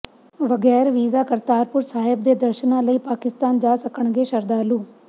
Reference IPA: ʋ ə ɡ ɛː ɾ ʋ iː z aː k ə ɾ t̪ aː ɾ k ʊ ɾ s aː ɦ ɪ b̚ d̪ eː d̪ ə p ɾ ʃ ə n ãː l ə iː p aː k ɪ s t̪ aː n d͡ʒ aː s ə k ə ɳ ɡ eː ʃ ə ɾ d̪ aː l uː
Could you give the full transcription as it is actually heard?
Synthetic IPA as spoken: ʋ ə ɡ ɛː ɾ ʋ iː z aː k ə ɾ t̪ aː ɾ p ʊ ɾ s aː ɦ ɪ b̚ d̪ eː d̪ ə ɾ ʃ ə n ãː l ə iː p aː k ɪ s t̪ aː n d͡ʒ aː s ə k ə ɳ ɡ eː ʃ ə ɾ d̪ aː l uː